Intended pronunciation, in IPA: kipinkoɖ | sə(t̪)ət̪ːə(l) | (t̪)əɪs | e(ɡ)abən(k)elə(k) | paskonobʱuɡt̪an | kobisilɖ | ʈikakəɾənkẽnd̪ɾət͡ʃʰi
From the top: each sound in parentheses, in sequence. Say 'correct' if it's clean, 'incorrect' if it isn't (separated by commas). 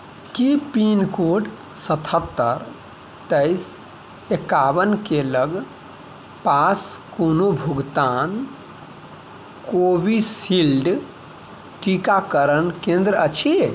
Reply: incorrect, incorrect, correct, incorrect, correct, incorrect